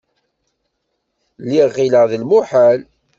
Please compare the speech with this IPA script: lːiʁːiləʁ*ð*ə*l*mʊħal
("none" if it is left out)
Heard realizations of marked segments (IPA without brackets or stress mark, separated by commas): ð, l